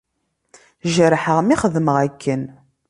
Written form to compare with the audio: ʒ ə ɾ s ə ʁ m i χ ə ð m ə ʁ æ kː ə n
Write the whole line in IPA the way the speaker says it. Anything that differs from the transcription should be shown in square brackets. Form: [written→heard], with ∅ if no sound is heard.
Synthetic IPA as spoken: ʒ ə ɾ [s→ħ] ə ʁ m i χ ə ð m ə ʁ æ kː ə n